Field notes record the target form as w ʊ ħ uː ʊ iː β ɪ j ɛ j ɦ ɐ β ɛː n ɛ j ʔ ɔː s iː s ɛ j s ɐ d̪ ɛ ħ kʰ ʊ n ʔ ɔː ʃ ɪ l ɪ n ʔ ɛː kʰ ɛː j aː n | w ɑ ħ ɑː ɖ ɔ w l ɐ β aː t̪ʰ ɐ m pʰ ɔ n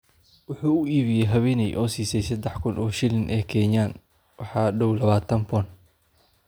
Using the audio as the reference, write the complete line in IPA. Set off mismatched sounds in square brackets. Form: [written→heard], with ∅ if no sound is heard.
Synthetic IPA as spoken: w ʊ ħ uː ʊ iː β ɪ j ɛ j ɦ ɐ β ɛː n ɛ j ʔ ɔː s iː s ɛ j s ɐ d̪ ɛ ħ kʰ ʊ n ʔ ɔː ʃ ɪ l ɪ n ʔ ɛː kʰ ɛː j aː n | w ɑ ħ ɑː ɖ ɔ w l ɐ β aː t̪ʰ ɐ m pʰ ɔ n